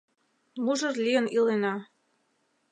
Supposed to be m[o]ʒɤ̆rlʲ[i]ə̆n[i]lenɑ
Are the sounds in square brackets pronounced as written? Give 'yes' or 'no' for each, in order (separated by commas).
no, yes, yes